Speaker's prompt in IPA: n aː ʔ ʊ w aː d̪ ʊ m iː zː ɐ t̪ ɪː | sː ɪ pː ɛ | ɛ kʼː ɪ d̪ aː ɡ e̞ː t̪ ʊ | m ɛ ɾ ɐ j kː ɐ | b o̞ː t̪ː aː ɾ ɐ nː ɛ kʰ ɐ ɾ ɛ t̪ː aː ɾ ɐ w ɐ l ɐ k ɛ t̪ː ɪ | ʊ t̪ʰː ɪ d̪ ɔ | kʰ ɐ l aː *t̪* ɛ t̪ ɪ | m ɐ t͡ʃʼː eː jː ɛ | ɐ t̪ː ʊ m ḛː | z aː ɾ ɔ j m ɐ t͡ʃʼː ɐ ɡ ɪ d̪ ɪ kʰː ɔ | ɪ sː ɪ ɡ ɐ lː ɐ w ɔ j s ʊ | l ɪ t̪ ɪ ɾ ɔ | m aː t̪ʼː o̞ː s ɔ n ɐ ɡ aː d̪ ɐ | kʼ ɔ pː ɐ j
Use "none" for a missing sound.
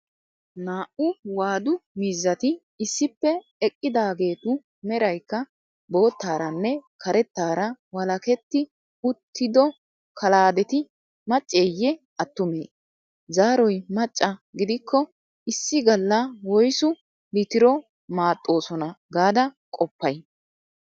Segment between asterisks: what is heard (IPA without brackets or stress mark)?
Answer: d̪